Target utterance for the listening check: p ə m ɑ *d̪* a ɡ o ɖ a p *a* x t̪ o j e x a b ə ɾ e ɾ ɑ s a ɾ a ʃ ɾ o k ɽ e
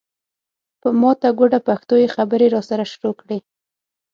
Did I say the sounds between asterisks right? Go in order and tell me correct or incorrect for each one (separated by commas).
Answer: incorrect, correct